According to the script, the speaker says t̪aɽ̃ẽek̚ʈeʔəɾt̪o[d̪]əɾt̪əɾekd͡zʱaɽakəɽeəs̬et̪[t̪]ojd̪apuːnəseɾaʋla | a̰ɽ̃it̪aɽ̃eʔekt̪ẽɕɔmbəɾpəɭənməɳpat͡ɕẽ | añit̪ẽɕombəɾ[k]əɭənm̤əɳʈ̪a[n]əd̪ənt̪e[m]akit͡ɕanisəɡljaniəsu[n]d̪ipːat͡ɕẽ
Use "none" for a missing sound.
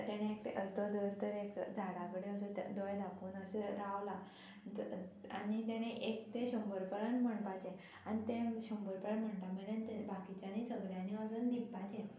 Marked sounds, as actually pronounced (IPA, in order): d̪, d̪, p, m, b, n

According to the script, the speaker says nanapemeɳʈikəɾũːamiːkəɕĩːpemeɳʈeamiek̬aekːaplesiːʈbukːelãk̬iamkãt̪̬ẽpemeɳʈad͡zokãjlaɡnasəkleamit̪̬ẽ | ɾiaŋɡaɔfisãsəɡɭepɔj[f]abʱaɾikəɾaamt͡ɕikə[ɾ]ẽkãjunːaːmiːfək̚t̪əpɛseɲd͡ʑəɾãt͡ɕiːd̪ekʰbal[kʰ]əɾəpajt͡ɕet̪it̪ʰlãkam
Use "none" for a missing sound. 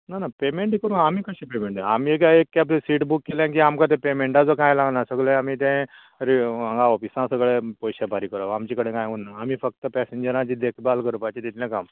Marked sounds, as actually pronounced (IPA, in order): ɕ, ɽ, k

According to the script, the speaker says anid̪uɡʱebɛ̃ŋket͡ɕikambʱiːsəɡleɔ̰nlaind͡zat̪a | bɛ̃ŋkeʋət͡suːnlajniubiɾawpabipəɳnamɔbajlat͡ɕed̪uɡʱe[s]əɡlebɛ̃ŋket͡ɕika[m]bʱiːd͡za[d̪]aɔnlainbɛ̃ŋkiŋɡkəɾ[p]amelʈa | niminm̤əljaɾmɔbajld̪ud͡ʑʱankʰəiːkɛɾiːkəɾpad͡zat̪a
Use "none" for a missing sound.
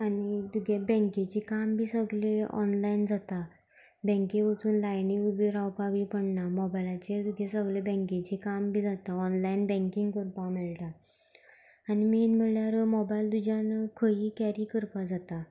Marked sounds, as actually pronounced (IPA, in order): s, m, t̪, p

